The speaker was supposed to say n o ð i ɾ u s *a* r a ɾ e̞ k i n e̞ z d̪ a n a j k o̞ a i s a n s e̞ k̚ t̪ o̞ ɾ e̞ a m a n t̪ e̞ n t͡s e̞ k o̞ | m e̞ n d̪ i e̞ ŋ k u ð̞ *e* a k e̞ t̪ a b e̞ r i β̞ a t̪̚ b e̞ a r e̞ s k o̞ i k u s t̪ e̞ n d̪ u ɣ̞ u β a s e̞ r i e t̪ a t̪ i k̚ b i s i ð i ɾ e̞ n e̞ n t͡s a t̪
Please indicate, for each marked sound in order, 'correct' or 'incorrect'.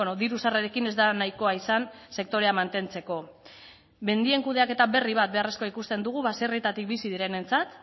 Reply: correct, correct

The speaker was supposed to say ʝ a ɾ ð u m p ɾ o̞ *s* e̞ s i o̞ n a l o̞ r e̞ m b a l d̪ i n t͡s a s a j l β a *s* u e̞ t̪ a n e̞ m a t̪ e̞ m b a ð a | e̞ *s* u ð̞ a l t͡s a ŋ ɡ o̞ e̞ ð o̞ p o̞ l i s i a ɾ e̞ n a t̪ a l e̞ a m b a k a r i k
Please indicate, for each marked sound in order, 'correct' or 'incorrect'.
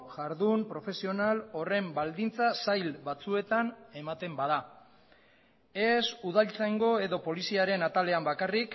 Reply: incorrect: f, incorrect: t͡s, correct

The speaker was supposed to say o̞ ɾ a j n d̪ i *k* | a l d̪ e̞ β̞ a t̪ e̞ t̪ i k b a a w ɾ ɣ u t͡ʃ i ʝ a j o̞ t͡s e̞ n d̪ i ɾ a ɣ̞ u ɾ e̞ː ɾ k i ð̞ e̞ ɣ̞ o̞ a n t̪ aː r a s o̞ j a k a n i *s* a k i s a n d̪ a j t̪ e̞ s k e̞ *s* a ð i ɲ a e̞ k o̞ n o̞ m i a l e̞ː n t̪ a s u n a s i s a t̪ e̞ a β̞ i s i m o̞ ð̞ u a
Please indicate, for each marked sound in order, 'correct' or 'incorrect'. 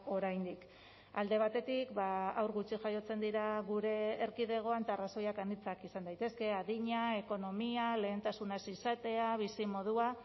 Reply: correct, incorrect: t͡s, incorrect: none

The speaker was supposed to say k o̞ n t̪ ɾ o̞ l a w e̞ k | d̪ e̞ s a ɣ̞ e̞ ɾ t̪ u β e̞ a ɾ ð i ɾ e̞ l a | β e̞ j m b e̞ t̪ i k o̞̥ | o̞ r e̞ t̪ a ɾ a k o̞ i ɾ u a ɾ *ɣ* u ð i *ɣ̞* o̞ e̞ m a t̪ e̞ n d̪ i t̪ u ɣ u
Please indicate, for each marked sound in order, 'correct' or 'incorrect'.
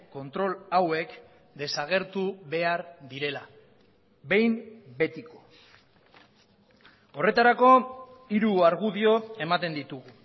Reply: correct, incorrect: none

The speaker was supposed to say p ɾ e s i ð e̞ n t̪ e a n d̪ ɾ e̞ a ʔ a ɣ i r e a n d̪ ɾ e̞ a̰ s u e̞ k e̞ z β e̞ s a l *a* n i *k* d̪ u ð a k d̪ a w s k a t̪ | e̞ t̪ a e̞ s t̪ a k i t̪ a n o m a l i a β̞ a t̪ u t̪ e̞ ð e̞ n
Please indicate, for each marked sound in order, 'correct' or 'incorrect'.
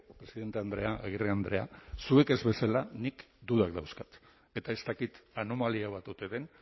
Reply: correct, correct

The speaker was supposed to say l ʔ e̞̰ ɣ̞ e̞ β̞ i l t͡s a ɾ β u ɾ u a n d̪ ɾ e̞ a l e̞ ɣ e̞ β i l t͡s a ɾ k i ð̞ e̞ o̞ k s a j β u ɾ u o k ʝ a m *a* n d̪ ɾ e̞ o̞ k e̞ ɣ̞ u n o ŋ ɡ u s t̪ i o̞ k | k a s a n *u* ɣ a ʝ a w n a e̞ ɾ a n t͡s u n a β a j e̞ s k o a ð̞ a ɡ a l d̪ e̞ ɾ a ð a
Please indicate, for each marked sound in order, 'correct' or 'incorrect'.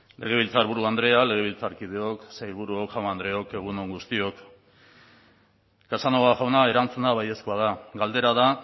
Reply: correct, incorrect: o

